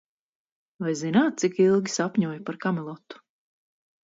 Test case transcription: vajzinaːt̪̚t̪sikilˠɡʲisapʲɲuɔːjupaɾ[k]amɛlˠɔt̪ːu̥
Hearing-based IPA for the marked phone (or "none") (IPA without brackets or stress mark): k